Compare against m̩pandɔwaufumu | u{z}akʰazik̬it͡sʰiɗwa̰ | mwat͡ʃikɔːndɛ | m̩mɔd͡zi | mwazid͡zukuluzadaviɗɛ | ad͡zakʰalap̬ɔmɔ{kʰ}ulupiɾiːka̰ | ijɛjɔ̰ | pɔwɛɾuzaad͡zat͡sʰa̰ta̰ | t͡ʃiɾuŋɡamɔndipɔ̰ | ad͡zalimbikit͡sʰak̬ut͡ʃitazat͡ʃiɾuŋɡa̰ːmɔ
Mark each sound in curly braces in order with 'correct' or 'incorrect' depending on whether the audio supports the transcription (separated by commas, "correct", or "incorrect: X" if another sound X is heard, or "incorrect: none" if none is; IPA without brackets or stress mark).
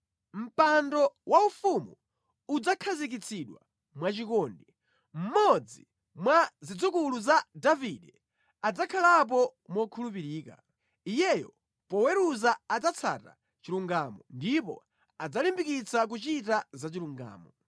incorrect: d͡z, correct